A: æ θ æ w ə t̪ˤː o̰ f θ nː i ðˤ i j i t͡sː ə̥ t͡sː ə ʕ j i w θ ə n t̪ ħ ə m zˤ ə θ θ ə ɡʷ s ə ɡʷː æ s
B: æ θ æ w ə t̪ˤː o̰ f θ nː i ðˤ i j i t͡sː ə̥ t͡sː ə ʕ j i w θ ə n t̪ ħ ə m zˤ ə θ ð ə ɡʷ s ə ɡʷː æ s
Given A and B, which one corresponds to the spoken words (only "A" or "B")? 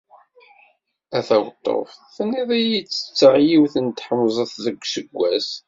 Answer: B